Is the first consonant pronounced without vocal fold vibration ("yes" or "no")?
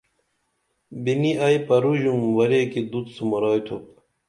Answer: no